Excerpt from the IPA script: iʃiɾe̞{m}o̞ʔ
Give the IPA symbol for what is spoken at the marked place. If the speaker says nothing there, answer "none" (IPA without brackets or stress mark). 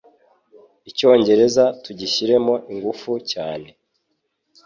m